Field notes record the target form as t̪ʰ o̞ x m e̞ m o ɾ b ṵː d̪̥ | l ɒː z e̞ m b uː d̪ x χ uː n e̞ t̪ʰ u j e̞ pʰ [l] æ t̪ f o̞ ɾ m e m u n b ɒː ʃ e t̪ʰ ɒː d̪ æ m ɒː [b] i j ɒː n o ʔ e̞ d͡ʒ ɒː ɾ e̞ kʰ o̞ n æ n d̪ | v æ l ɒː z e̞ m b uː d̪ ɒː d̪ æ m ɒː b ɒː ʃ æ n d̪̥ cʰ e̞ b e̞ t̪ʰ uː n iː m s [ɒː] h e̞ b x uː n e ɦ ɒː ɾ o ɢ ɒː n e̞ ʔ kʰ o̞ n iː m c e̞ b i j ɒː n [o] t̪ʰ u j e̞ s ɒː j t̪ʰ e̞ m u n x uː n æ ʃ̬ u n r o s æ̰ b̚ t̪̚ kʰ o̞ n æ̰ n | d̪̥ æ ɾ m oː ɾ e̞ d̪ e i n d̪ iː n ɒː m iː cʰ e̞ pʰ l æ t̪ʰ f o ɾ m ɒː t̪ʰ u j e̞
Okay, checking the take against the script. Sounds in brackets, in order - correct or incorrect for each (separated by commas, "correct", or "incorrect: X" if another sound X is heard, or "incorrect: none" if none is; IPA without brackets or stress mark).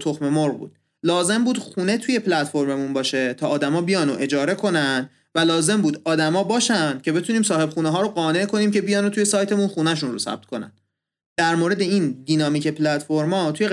correct, correct, correct, correct